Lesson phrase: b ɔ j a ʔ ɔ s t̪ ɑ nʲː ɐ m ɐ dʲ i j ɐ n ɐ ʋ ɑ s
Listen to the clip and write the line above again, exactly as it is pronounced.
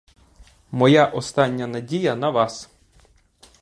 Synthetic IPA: m ɔ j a ʔ ɔ s t̪ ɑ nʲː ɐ n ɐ dʲ i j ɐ n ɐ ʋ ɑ s